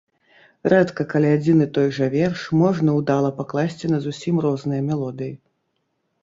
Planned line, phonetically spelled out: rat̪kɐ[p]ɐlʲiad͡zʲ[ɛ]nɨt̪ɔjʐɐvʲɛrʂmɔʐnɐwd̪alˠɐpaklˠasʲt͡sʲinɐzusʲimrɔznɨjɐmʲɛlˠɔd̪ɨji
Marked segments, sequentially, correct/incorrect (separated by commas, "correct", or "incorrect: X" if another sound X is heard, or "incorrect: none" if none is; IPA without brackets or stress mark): incorrect: k, incorrect: i